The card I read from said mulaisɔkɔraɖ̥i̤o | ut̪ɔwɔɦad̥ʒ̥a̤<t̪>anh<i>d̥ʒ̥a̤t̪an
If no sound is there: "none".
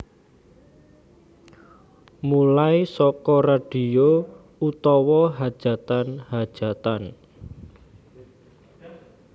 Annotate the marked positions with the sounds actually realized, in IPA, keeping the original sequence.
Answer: t̪, a

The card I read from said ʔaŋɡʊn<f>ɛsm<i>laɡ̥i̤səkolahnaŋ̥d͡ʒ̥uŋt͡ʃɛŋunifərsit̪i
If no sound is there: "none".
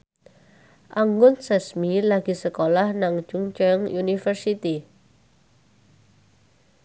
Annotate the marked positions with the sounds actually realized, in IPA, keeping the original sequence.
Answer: s, i

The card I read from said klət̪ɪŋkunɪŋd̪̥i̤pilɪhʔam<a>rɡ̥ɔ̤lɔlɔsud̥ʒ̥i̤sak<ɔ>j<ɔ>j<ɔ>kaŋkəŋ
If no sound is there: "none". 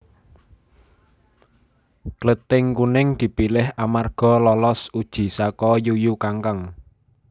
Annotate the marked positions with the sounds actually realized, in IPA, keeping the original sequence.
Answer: a, ɔ, u, u

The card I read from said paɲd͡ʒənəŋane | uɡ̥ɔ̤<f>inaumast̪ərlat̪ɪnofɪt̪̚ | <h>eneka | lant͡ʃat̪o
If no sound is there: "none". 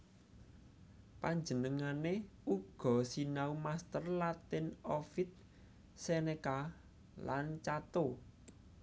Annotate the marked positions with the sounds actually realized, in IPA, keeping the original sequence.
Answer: s, s

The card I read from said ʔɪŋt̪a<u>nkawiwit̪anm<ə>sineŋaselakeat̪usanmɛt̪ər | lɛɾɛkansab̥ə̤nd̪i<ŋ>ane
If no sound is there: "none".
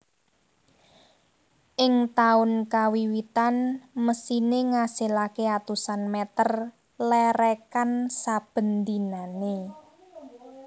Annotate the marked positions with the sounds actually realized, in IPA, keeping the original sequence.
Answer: ʊ, ə, n

